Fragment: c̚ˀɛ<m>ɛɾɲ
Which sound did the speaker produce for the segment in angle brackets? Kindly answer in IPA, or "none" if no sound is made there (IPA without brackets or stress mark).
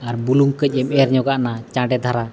m